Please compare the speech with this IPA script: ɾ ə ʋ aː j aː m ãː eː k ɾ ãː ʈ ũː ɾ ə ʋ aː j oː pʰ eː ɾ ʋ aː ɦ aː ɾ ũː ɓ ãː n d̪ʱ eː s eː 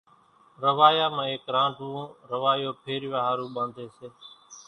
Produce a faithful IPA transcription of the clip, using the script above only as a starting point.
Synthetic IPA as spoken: ɾ ə ʋ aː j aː m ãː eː k ɾ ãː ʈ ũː ɾ ə ʋ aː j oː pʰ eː ɾ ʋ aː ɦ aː ɾ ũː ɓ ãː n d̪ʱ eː s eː